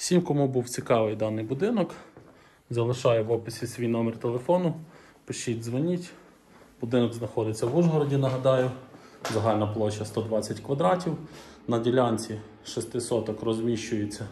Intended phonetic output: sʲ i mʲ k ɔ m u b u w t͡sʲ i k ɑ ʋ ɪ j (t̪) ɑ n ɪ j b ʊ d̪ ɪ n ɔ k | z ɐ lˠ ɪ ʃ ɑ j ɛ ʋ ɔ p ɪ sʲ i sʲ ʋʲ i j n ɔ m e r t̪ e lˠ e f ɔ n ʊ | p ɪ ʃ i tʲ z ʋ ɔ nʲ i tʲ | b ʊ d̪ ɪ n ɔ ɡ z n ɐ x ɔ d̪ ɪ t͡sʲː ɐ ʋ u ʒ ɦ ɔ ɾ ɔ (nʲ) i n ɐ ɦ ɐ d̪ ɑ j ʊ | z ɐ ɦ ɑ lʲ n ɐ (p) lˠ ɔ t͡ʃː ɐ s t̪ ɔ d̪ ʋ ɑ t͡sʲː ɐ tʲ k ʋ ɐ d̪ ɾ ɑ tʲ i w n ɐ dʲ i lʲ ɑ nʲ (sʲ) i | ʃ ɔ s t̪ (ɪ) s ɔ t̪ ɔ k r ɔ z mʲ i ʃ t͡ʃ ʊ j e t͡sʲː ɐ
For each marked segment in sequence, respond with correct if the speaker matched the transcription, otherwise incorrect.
incorrect: d̪, incorrect: dʲ, correct, incorrect: t͡sʲ, correct

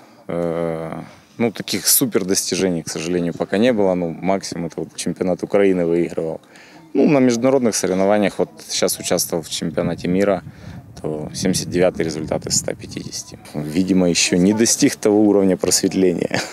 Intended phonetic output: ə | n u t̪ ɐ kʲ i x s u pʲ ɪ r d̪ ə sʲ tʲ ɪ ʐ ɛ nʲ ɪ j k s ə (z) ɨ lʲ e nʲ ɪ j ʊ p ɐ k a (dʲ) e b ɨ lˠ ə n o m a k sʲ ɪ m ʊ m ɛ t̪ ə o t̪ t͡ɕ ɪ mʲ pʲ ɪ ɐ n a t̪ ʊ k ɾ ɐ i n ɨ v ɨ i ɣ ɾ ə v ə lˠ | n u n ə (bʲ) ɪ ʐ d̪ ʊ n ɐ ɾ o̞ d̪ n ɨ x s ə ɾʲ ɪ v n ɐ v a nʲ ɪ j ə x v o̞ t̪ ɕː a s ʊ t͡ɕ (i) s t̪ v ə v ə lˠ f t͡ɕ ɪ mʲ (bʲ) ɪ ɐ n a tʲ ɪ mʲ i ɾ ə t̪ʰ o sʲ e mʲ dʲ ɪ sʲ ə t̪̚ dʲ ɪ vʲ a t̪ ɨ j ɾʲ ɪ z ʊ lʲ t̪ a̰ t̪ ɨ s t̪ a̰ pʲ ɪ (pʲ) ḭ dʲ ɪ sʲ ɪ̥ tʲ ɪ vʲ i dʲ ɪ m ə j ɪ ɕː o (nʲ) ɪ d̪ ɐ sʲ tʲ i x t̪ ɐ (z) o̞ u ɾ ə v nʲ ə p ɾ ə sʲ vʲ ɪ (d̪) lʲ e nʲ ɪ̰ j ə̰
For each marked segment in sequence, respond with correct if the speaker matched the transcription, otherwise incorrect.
incorrect: ʐ, incorrect: nʲ, incorrect: mʲ, incorrect: a, incorrect: pʲ, incorrect: tʲ, correct, incorrect: v, incorrect: t̪

